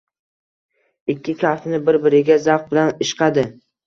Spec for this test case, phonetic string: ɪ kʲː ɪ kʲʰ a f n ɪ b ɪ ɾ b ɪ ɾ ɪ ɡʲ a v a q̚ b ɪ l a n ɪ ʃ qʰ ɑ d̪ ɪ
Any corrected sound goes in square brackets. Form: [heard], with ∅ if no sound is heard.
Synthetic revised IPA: ɪ kʲː ɪ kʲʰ a f n ɪ b ɪ ɾ b ɪ ɾ ɪ ɡʲ a [z] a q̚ b ɪ l a n ɪ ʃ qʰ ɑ d̪ ɪ